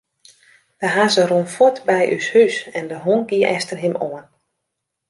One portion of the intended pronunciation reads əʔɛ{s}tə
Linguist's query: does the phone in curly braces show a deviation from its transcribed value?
no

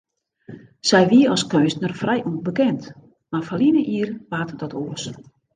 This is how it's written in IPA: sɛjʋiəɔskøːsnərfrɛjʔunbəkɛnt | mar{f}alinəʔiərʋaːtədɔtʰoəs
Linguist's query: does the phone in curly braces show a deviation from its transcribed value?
no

